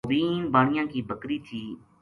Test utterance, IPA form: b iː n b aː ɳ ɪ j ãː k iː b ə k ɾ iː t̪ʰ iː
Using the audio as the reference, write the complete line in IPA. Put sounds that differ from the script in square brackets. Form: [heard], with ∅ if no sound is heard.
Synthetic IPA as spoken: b iː n b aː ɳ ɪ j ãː k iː b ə k ɾ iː t̪ʰ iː

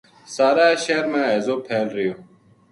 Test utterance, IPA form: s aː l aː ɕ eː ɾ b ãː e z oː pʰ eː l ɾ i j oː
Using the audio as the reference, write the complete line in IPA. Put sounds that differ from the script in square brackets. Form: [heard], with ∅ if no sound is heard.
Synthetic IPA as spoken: s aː [ɾ] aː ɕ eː ɾ [m] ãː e z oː pʰ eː l ɾ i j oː

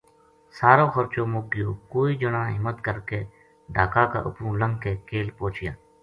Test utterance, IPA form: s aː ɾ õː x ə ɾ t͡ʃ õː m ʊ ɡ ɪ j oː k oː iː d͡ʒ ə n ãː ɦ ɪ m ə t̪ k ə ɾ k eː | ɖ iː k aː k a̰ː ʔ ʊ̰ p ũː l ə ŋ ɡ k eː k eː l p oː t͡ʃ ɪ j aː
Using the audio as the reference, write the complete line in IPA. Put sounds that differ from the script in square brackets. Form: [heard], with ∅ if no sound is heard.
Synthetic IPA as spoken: s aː ɾ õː x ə ɾ t͡ʃ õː m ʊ ɡ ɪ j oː k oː iː d͡ʒ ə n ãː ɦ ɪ m ə t̪ k ə ɾ k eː | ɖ [aː] k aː k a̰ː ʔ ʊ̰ p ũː l ə ŋ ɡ k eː k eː l p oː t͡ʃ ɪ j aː

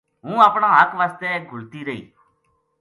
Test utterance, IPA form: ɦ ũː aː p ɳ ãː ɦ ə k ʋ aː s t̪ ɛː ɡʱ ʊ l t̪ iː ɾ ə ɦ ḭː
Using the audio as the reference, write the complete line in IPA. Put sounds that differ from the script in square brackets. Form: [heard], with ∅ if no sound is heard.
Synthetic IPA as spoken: ɦ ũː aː p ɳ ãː ɦ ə k ʋ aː s t̪ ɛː ɡʱ ʊ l t̪ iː ɾ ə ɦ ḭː

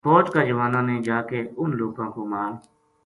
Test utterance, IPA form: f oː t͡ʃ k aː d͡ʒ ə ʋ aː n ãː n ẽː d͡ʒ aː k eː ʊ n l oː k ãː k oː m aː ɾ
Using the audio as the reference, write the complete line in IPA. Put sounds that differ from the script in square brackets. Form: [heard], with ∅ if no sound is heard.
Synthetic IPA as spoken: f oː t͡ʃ k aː d͡ʒ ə ʋ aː n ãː n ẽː d͡ʒ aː k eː ʊ n l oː k ãː k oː m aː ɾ

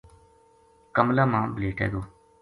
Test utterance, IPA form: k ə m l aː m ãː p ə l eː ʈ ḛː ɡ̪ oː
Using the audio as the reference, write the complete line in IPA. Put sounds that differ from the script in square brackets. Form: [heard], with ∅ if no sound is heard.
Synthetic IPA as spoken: k ə m l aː m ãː [b] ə l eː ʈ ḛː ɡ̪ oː

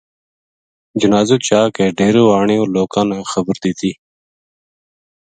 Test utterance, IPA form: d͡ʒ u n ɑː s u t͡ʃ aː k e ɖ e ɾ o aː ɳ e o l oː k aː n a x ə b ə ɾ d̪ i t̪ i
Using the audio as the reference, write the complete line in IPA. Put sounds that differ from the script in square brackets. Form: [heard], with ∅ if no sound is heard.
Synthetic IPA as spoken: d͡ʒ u n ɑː [z] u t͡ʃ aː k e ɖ e ɾ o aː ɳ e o l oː k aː n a x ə b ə ɾ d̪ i t̪ i

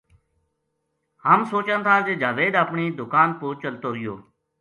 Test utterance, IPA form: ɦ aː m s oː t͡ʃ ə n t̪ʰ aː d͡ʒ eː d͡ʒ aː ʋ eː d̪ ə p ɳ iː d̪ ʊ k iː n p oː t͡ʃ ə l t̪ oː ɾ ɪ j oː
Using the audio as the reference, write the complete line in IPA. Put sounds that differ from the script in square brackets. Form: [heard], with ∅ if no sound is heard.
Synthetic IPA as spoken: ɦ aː m s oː t͡ʃ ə n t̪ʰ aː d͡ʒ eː d͡ʒ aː ʋ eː d̪ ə p ɳ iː d̪ ʊ k [aː] n p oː t͡ʃ ə l t̪ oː ɾ ɪ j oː

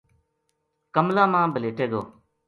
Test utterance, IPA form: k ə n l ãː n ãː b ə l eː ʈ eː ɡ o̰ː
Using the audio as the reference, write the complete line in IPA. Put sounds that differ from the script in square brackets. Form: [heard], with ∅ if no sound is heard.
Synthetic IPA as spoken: k ə [m] l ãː [m] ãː b ə l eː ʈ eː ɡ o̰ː

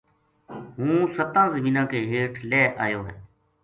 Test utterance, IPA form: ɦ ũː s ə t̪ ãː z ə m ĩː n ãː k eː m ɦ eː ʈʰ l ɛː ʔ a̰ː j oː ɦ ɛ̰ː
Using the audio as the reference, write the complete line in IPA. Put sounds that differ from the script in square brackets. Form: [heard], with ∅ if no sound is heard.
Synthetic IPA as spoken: ɦ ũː s ə t̪ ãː z ə m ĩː n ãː k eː [∅] ɦ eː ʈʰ l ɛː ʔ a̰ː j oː ɦ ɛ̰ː

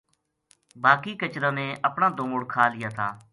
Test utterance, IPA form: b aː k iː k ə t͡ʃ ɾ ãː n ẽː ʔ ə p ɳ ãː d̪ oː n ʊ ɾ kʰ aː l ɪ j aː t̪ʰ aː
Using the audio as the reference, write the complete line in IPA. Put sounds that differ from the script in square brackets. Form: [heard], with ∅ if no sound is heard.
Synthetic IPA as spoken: b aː k iː k ə t͡ʃ ɾ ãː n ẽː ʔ ə p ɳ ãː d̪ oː [m] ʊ [ɽ] kʰ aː l ɪ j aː t̪ʰ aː

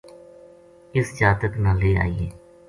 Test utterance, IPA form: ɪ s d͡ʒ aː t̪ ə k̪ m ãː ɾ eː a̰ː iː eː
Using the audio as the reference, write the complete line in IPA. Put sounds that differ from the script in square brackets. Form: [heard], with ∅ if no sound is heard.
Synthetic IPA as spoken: ɪ s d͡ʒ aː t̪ ə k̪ [n] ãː [l] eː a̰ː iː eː

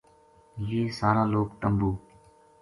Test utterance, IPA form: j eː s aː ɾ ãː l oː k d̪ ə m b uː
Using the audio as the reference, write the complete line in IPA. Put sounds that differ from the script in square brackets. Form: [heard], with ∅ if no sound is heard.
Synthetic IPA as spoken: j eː s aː ɾ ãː l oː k [t̪] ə m b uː

